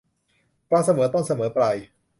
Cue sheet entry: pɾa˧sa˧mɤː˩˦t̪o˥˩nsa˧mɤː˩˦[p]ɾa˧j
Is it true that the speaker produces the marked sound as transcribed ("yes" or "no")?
yes